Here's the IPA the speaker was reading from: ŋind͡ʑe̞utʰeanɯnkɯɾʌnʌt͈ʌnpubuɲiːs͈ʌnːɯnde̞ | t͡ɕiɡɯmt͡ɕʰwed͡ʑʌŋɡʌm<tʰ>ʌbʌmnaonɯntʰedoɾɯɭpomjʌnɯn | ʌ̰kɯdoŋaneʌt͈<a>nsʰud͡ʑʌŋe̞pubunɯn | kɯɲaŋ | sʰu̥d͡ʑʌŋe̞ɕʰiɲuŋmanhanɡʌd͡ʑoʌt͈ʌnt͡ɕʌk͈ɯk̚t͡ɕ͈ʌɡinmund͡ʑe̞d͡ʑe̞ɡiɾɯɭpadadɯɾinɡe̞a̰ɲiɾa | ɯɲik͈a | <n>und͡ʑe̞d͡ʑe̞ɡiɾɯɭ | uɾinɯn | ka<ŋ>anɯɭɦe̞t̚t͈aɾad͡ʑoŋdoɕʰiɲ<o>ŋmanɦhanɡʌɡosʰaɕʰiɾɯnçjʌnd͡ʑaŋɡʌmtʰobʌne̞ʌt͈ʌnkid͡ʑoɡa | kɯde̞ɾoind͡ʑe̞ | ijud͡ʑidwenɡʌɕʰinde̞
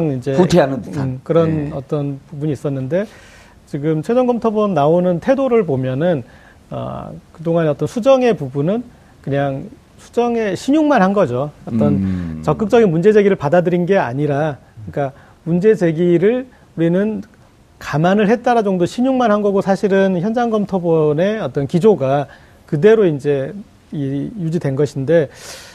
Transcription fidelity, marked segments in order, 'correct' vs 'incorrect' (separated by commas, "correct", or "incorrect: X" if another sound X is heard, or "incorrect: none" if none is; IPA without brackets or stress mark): correct, incorrect: ʌ, incorrect: m, incorrect: m, incorrect: u